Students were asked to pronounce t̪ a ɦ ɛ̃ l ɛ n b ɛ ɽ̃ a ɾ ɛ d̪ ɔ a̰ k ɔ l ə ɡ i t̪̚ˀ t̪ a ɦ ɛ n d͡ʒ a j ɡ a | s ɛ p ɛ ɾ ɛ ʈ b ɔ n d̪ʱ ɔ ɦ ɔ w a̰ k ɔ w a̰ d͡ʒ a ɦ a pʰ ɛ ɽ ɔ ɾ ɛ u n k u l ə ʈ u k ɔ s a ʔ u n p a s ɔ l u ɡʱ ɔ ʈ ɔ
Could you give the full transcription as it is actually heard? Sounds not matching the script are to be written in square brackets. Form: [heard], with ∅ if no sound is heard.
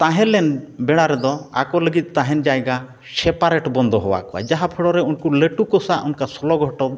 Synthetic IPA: t̪ a ɦ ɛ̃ l ɛ n b ɛ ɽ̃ a ɾ ɛ d̪ ɔ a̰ k ɔ l ə ɡ i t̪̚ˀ t̪ a ɦ ɛ n d͡ʒ a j ɡ a | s ɛ p [a] ɾ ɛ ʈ b ɔ n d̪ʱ ɔ ɦ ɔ w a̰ k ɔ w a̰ d͡ʒ a ɦ a pʰ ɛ ɽ ɔ ɾ ɛ u n k u l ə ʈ u k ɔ s a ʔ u n [k] a s ɔ l [ɔ] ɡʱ ɔ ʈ ɔ